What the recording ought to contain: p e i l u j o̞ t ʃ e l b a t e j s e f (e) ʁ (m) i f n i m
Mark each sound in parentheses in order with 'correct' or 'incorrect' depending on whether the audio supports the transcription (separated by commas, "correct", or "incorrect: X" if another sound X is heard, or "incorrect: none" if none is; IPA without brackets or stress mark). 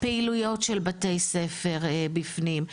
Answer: correct, incorrect: b